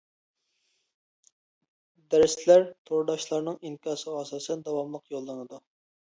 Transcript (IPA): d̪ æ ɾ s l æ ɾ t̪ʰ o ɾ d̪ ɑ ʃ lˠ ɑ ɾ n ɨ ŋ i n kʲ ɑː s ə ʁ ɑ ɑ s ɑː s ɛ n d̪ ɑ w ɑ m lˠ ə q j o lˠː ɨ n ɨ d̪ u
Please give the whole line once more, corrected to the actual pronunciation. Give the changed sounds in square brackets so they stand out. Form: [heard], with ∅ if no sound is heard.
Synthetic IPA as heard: d̪ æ ɾ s l æ ɾ t̪ʰ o ɾ d̪ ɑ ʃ lˠ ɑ ɾ n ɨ ŋ i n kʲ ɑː s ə ʁ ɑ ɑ s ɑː s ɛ n d̪ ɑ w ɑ m lˠ ə q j o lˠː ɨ n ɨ d̪ u